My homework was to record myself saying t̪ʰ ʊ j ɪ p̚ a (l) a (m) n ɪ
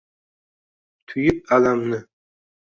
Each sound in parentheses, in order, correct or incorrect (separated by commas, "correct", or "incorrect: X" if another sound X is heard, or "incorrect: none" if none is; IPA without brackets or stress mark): correct, correct